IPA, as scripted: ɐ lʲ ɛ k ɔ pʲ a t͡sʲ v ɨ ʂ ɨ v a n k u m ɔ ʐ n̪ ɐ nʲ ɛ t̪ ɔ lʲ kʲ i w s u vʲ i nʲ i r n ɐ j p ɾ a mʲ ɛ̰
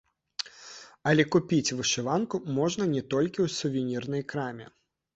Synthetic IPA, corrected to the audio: ɐ lʲ ɛ k u pʲ i t͡sʲ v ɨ ʂ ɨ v a n k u m ɔ ʐ n̪ ɐ nʲ ɛ t̪ ɔ lʲ kʲ i w s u vʲ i nʲ i r n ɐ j k ɾ a mʲ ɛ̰